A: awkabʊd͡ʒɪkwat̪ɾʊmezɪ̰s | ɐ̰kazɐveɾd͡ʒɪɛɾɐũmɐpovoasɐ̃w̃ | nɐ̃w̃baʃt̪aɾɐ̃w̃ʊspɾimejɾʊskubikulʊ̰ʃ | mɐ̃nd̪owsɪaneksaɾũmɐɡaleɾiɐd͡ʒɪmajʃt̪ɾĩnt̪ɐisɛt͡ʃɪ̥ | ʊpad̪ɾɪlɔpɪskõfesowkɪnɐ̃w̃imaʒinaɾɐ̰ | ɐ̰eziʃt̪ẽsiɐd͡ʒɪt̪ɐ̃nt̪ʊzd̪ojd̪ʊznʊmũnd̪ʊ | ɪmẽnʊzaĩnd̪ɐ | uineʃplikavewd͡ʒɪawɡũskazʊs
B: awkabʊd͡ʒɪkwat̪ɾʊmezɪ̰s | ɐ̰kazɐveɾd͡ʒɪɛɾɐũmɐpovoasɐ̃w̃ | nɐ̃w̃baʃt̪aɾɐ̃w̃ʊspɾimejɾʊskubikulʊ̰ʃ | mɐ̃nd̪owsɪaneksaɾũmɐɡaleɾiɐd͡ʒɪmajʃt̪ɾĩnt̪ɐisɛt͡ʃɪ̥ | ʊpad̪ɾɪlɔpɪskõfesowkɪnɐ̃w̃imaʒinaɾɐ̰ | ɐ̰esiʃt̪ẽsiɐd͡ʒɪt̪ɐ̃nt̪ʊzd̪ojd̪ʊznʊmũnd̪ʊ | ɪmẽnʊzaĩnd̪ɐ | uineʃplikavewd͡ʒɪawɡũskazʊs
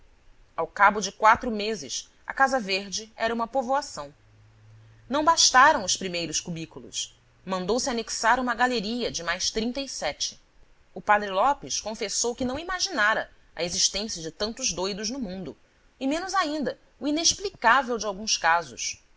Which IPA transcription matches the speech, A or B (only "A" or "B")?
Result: A